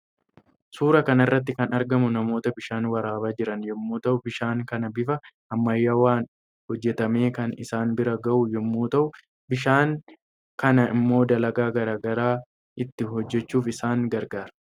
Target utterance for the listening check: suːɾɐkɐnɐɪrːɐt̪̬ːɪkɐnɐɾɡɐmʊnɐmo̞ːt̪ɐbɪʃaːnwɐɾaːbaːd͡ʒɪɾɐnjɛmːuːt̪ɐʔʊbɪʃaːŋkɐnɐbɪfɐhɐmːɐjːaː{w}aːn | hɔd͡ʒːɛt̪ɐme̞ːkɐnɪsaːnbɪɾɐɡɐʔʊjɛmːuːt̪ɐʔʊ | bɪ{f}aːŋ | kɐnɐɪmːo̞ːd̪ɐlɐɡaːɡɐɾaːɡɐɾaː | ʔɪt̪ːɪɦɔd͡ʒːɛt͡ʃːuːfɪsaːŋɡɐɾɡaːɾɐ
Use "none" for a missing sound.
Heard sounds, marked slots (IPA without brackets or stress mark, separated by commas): w, ʃ